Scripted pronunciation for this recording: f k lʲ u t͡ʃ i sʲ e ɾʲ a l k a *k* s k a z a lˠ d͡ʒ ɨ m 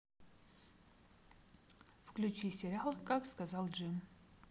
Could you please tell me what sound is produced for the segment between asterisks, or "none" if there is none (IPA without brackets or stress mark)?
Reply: k